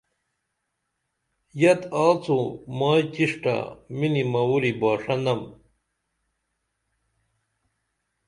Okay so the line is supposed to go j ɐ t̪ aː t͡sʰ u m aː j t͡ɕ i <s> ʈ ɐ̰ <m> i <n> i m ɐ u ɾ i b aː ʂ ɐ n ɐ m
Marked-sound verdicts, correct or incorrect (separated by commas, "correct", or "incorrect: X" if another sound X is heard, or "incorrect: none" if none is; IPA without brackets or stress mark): incorrect: ʂ, correct, correct